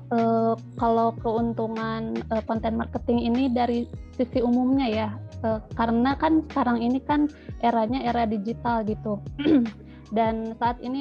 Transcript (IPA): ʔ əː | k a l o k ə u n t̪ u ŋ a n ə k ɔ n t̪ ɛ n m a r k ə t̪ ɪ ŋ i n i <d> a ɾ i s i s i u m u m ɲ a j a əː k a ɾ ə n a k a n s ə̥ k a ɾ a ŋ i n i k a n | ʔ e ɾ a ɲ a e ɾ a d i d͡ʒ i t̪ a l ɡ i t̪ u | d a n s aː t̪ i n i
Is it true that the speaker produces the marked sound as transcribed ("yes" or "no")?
yes